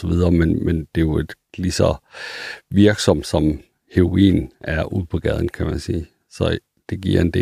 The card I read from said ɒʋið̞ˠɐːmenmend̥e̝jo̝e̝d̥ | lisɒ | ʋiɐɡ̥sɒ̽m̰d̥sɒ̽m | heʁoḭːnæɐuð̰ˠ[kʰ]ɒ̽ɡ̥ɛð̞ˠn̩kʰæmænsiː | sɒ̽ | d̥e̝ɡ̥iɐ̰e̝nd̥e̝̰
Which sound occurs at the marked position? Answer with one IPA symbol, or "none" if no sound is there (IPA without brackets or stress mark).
pʰ